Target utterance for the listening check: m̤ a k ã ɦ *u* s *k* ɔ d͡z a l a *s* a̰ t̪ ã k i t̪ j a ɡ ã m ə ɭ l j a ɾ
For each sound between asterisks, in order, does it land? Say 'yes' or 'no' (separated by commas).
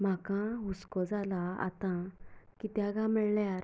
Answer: yes, yes, no